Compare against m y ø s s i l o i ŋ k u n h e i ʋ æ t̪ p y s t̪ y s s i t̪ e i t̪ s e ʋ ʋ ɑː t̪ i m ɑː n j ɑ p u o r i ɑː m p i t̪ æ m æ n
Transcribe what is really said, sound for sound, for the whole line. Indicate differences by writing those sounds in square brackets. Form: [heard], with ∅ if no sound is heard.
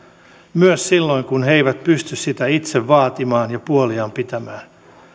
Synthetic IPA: m y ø s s i [lː] o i ŋ k u n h e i ʋ æ t̪ p y s t̪ y s s i t̪ [æ] i t̪ s e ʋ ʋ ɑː t̪ i m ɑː n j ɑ p u o [l] i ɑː m p i t̪ æ m [æː] n

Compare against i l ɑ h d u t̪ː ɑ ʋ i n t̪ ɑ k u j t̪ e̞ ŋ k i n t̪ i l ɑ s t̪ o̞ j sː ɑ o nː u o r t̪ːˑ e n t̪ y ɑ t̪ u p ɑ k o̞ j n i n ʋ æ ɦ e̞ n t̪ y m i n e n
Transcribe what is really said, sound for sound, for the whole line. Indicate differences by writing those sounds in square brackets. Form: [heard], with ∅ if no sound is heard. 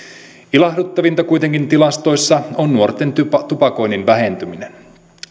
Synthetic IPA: i l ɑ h d u t̪ː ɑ ʋ i n t̪ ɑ k u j t̪ e̞ ŋ k i n t̪ i l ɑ s t̪ o̞ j sː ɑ o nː u o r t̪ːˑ e n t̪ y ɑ t̪ u p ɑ k o̞ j n i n ʋ æ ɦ e̞ n t̪ y m i n e n

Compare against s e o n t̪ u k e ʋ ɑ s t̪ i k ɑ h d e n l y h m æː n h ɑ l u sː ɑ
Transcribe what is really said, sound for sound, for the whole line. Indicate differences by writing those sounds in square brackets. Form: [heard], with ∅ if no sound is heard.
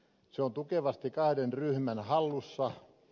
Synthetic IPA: s e o n t̪ u k e ʋ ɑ s t̪ i k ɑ h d e n [r] y h m [æ] n h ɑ [lː] u sː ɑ

